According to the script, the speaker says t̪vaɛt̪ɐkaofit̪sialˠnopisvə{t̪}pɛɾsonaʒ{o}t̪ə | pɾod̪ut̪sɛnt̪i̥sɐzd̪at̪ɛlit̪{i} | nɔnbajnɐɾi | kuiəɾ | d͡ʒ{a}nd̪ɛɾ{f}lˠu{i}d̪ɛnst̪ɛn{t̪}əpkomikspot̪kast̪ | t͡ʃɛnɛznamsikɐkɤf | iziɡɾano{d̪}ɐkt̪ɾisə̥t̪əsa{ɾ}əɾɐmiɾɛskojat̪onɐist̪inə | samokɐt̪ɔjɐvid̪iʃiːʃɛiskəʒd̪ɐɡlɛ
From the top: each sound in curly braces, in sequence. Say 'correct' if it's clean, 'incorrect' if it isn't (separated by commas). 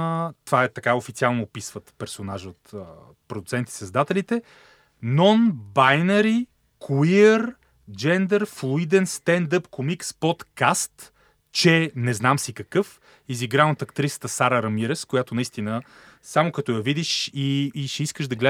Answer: correct, correct, incorrect, incorrect, correct, correct, incorrect, incorrect, correct